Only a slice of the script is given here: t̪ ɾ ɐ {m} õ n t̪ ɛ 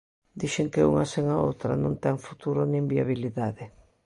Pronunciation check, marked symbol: incorrect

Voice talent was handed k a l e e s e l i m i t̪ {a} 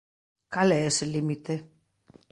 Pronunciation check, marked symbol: incorrect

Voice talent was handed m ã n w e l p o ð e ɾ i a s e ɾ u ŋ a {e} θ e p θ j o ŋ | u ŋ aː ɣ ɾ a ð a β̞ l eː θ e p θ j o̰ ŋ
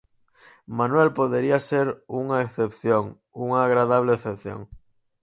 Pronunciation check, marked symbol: correct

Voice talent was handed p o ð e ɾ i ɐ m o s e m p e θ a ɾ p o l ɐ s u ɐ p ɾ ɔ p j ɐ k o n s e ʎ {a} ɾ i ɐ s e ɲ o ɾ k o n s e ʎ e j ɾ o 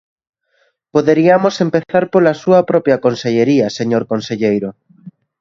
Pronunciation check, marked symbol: incorrect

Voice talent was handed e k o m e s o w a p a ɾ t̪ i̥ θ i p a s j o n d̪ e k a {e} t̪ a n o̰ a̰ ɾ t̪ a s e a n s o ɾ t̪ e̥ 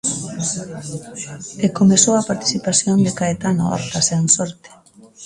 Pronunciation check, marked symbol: correct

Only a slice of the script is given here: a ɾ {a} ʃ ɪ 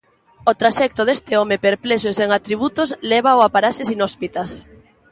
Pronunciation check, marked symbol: correct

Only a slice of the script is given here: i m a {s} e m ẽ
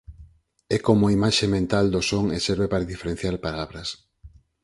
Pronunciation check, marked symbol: incorrect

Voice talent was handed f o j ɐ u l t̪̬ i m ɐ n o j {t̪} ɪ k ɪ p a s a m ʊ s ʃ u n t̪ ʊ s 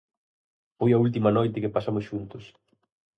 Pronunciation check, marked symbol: correct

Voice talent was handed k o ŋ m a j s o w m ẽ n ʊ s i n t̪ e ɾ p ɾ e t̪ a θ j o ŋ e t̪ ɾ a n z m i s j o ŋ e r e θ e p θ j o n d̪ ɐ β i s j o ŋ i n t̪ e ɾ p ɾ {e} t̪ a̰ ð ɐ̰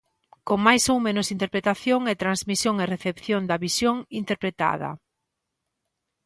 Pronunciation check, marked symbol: correct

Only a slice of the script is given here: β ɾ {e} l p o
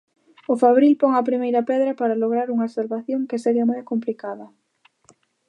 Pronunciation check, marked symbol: incorrect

